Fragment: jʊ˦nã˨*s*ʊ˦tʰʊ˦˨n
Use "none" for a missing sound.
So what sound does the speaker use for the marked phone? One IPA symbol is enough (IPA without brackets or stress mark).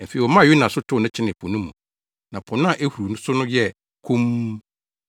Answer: s